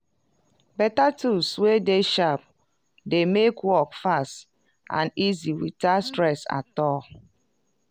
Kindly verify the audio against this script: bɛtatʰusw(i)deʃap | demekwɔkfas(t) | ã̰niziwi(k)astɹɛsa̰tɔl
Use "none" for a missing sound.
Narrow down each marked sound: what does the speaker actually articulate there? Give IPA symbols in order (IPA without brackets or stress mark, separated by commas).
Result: e, t, t